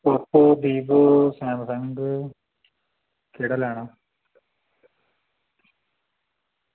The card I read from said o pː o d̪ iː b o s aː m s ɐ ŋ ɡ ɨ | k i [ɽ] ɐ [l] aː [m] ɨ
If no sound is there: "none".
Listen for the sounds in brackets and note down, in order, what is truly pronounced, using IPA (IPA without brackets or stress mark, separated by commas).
ɽ, l, ɳ